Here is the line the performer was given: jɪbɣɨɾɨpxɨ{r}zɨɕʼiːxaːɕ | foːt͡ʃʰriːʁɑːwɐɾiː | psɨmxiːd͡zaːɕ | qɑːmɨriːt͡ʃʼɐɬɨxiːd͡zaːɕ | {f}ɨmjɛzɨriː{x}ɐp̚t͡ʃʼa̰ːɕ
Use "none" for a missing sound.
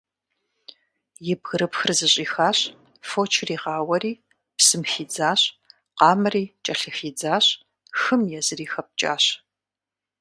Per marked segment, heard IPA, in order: r, x, x

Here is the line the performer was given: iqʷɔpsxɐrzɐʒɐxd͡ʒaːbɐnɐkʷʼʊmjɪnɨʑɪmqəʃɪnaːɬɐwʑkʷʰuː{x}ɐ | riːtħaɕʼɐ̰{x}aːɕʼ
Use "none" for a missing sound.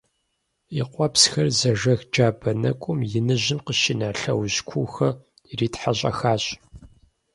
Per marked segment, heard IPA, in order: x, x

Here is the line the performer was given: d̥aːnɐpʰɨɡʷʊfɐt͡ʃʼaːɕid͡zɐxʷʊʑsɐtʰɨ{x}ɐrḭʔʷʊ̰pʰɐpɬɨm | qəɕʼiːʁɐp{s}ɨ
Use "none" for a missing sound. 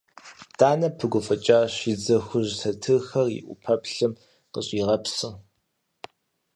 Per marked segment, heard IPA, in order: x, s

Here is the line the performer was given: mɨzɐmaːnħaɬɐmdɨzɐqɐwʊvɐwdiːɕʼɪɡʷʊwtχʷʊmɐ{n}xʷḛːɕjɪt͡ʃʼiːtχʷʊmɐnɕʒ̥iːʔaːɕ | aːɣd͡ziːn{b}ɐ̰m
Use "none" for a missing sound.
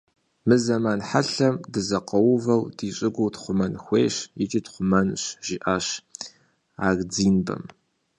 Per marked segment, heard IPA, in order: n, b

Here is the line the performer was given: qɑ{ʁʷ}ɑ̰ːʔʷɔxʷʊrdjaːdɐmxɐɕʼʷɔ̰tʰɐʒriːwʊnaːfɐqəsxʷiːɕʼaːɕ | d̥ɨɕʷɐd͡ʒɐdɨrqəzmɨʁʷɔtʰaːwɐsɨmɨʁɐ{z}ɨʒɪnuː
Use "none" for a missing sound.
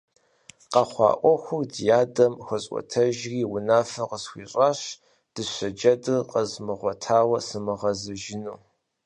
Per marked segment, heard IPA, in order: χʷ, z

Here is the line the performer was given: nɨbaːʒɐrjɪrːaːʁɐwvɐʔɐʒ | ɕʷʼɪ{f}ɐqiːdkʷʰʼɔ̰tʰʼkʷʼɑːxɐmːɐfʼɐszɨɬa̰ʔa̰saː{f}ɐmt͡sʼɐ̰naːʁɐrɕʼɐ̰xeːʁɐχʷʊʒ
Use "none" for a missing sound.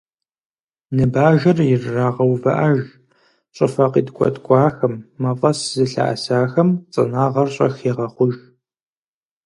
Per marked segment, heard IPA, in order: f, x

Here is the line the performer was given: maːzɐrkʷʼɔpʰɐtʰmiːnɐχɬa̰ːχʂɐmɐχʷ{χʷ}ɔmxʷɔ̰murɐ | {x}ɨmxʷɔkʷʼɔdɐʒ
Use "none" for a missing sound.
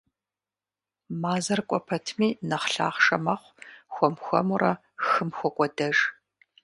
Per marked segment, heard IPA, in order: xʷ, x

